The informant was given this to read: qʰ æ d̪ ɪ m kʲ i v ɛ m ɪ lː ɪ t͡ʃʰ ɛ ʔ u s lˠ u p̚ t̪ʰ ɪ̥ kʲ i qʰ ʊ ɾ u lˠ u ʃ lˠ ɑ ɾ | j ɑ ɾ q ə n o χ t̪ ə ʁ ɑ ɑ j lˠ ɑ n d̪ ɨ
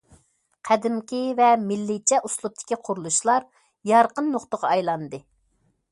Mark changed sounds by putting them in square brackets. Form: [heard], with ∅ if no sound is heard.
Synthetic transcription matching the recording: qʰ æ d̪ ɪ m kʲ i v ɛ m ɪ lː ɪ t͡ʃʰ ɛ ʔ u s lˠ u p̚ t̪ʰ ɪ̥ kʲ i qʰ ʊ ɾ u lˠ u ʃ lˠ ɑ ɾ | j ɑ ɾ q ə [nː] o χ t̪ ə ʁ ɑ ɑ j lˠ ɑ n d̪ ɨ